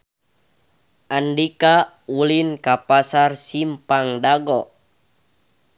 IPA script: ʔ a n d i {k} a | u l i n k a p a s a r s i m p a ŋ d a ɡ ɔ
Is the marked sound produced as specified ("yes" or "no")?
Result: yes